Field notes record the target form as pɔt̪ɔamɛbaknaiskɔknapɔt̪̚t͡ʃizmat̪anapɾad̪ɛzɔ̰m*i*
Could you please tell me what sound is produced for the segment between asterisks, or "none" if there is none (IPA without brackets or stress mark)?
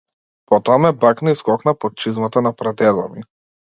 i